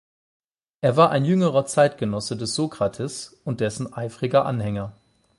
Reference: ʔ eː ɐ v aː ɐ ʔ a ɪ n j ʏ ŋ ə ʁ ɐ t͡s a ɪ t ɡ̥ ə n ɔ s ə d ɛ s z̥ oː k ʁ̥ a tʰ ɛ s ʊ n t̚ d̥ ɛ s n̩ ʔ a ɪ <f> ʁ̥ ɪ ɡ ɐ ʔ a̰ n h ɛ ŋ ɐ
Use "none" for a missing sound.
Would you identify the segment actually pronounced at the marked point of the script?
f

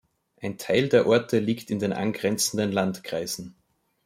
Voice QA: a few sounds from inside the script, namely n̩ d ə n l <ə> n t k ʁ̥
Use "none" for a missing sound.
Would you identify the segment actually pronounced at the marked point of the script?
a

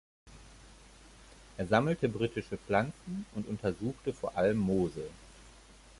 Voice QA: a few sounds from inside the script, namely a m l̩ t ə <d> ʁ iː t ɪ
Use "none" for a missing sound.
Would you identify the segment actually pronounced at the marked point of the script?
b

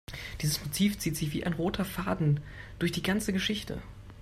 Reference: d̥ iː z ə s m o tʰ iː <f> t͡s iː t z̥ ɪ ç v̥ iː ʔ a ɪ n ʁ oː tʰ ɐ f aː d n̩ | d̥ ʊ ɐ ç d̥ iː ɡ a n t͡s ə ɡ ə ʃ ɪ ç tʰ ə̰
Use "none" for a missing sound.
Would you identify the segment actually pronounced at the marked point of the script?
f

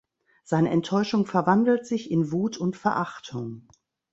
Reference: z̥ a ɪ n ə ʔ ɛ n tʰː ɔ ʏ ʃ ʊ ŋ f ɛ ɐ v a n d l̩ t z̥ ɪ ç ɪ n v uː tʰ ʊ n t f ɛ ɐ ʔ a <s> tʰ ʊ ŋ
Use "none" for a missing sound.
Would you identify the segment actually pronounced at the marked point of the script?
χ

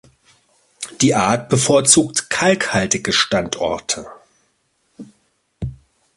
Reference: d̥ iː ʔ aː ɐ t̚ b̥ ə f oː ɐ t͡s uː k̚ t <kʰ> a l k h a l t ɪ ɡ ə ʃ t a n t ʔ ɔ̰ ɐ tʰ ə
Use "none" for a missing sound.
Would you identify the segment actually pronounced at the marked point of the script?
kʰ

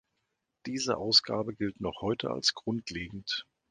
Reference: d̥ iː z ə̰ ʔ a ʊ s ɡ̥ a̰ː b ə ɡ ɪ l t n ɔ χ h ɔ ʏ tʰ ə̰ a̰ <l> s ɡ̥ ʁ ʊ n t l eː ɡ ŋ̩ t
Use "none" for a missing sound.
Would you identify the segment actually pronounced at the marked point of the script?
l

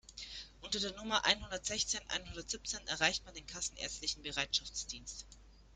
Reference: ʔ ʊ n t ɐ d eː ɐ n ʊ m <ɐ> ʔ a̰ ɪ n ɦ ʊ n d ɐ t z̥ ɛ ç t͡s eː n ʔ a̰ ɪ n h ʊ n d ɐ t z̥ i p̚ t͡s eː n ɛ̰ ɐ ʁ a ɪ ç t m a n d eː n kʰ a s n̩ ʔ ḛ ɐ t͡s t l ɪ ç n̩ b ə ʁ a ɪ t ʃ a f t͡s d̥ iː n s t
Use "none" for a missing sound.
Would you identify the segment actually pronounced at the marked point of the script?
ɐ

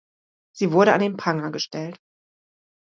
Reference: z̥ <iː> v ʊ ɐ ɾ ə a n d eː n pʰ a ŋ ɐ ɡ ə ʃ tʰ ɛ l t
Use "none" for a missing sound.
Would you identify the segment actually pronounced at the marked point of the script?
iː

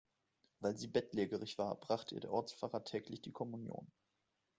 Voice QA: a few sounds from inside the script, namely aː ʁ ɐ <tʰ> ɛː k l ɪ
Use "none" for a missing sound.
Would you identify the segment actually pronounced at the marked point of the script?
tʰ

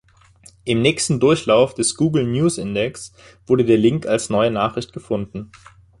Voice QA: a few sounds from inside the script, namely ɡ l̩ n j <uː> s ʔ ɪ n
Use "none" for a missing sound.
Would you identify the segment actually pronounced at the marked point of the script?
uː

